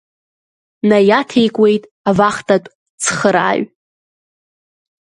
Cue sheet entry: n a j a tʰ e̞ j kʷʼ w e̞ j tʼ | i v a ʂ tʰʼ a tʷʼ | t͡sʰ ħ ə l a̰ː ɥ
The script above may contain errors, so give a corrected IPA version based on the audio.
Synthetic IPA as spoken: n a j a tʰ e̞ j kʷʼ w e̞ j tʼ | a v a χ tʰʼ a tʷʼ | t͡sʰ χ ə ɾ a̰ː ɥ